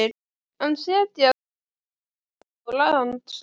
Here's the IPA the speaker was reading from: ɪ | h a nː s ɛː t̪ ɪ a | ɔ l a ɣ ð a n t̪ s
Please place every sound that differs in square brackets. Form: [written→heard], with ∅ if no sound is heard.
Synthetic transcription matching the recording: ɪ | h a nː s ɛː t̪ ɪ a | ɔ l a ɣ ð a n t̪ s